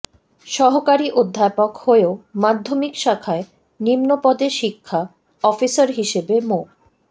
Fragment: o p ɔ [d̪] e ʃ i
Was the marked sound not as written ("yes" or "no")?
no